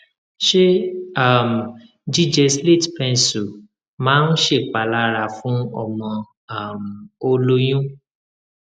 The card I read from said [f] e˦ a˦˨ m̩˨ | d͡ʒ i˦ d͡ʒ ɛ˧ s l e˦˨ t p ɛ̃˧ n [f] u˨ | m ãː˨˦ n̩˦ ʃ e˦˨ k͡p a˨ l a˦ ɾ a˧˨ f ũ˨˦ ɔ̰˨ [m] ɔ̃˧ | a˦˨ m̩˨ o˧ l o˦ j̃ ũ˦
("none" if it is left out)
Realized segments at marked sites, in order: ʃ, s, m

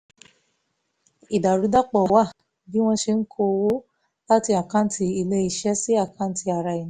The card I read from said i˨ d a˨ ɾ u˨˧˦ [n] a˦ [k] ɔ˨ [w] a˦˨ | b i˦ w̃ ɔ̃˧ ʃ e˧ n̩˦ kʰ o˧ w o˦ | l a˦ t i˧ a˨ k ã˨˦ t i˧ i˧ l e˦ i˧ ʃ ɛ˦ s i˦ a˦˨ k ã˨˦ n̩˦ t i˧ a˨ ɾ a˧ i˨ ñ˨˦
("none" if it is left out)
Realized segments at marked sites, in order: d, k͡p, w

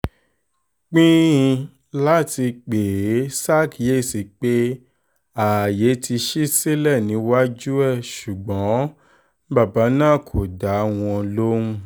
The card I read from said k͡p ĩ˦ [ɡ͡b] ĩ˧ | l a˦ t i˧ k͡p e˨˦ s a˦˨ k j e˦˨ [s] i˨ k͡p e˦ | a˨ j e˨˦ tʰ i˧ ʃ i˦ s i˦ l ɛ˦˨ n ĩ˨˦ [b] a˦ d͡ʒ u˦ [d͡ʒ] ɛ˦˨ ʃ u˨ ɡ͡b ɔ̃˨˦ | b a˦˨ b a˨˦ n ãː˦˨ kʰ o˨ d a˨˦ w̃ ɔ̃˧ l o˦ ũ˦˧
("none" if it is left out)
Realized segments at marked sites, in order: none, s, w, none

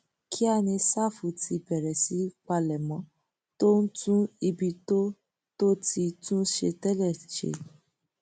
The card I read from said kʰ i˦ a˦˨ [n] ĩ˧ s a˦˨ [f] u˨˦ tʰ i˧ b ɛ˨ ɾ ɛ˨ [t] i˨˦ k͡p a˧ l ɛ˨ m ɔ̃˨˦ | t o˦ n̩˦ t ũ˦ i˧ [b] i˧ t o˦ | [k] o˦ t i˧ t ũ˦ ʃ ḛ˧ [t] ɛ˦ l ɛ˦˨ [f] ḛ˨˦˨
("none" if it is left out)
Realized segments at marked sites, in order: n, f, s, b, t, t, ʃ

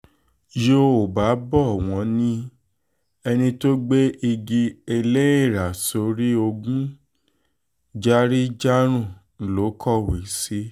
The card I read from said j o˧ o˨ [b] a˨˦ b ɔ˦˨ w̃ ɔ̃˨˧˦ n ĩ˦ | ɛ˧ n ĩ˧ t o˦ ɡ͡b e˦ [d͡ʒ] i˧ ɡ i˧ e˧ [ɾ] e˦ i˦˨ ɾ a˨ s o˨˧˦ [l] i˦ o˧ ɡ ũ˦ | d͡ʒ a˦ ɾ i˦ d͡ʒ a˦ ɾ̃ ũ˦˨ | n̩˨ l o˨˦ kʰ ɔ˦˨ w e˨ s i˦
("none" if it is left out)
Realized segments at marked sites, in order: b, none, l, ɾ

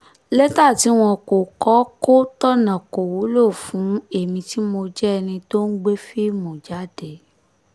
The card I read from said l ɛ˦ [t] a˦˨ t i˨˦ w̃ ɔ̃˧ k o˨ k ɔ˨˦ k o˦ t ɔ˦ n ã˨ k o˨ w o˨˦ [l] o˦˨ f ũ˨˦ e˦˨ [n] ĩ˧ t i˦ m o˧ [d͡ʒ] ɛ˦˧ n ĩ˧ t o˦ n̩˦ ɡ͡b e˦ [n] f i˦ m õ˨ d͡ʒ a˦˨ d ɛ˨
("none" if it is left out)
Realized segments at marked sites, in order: t, l, m, d͡ʒ, none

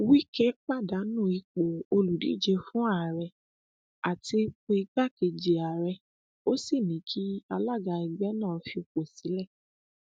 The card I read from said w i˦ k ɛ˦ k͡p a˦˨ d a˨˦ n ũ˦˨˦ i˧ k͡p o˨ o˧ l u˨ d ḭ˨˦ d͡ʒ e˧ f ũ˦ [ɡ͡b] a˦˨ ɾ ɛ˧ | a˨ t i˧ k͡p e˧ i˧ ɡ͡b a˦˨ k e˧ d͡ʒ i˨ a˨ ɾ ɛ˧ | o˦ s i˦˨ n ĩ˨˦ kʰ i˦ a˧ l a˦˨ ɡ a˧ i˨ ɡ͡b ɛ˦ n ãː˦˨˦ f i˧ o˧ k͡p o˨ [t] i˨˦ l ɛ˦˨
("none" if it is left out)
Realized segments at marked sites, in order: none, s

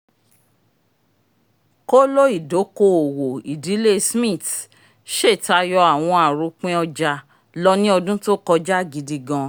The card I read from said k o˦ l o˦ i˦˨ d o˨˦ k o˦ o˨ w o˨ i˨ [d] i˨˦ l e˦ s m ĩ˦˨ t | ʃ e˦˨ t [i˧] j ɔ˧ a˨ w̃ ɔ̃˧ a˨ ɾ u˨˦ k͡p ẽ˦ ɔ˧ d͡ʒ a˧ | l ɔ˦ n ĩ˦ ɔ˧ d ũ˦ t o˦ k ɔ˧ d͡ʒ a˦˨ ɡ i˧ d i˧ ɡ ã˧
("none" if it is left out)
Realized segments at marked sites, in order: d, a˧

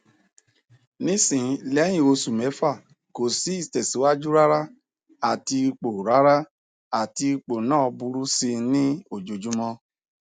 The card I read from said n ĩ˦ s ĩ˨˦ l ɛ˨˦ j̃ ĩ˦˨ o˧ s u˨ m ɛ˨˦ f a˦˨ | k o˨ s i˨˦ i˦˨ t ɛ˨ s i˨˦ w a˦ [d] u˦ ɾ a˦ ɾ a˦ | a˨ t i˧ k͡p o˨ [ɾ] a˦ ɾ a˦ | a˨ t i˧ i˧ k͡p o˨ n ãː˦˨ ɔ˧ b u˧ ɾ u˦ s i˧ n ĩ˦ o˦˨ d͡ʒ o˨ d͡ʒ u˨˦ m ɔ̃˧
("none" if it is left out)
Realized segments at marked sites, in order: d͡ʒ, ɾ

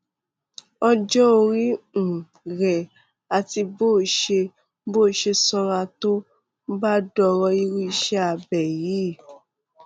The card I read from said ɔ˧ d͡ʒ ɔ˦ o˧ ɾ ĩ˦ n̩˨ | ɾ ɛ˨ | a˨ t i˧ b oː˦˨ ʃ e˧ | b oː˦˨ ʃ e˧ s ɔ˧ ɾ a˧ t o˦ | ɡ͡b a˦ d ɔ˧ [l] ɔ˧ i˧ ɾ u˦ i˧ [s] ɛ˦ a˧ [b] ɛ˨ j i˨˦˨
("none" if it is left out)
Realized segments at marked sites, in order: ɾ, ʃ, b

